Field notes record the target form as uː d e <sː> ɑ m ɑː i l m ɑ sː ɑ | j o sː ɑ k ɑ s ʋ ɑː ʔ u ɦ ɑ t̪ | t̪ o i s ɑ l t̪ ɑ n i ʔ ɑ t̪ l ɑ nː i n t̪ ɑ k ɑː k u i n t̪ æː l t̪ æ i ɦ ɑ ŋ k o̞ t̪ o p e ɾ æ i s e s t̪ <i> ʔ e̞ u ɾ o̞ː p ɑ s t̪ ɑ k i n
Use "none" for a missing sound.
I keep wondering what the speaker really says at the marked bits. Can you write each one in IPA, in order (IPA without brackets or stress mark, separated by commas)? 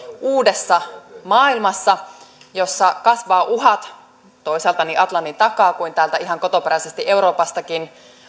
sː, i